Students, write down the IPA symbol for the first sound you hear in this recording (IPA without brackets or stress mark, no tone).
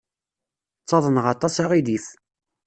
t͡sː